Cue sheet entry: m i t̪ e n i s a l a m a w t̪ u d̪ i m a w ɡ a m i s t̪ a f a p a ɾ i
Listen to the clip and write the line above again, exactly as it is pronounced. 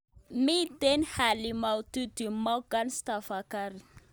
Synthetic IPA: m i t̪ e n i h a l i m a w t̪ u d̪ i m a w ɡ a n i s t̪ a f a k a ɾ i